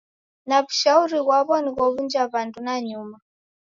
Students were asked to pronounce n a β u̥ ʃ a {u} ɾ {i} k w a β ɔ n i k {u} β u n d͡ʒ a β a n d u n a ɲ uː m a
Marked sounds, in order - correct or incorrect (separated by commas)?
correct, correct, incorrect